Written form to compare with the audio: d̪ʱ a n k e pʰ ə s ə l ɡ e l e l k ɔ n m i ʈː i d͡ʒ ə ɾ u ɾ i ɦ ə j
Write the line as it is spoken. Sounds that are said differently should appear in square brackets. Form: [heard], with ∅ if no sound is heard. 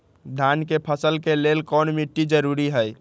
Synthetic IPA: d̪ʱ a n k e pʰ ə s ə l [k] e l e l k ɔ n m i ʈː i d͡ʒ ə ɾ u ɾ i ɦ ə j